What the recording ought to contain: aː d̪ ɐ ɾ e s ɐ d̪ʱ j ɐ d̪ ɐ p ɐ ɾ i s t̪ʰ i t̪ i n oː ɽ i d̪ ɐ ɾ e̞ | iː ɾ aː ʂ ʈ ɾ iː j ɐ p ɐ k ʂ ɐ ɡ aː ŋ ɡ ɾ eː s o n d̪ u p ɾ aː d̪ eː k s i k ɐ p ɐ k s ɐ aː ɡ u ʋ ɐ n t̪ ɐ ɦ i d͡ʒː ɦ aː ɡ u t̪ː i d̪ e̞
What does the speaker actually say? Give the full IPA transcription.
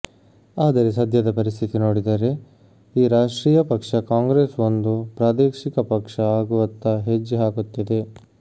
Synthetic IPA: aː d̪ ɐ ɾ e s ɐ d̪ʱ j ɐ d̪ ɐ p ɐ ɾ i s t̪ʰ i t̪ i n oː ɽ i d̪ ɐ ɾ e̞ | iː ɾ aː ʂ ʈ ɾ iː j ɐ p ɐ k ʂ ɐ k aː ŋ ɡ ɾ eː s o n d̪ u p ɾ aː d̪ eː k ʂ i k ɐ p ɐ k ʂ ɐ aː ɡ u ʋ ɐ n t̪ ɐ ɦ e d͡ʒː ɦ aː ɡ u t̪ː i d̪ e̞